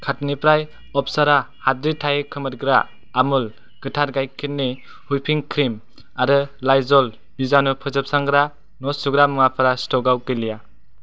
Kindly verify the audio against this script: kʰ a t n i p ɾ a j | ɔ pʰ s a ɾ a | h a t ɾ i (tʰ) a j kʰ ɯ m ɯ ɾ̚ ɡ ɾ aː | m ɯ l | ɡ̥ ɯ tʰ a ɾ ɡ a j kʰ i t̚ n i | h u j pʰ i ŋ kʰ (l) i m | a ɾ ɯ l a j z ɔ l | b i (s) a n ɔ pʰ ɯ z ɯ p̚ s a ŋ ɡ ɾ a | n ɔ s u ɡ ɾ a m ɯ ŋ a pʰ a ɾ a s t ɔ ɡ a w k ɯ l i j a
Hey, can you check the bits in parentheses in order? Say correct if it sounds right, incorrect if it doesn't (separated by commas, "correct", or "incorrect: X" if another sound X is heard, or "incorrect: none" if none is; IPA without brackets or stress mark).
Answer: correct, incorrect: ɾ, incorrect: z